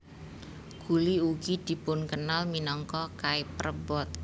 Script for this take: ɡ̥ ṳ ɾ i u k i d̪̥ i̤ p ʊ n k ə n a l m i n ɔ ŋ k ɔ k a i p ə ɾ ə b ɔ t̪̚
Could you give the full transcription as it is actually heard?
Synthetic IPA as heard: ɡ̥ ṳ l i u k i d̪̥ i̤ p ʊ n k ə n a l m i n ɔ ŋ k ɔ k a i p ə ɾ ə b ɔ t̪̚